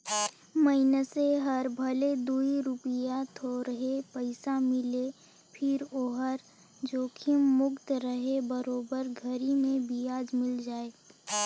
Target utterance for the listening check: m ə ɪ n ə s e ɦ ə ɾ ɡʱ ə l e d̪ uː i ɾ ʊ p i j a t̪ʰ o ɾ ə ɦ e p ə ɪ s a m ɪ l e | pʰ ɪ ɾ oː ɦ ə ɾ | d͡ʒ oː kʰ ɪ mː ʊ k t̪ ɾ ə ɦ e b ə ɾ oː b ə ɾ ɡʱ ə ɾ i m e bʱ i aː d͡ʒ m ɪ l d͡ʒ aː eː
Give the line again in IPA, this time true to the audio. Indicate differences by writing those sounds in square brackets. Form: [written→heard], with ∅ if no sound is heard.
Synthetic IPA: m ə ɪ n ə s e ɦ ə ɾ [ɡʱ→bʱ] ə l e d̪ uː i ɾ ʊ p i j a t̪ʰ o ɾ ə ɦ e p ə ɪ s a m ɪ l e | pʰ ɪ ɾ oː ɦ ə ɾ | d͡ʒ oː kʰ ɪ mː ʊ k t̪ ɾ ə ɦ e b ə ɾ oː b ə ɾ ɡʱ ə ɾ i m [e→ẽ] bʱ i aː d͡ʒ m ɪ l d͡ʒ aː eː